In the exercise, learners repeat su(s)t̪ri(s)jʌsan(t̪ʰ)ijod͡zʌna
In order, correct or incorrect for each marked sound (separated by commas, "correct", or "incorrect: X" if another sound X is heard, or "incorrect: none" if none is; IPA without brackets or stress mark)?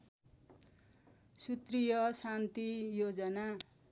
incorrect: none, incorrect: none, incorrect: t̪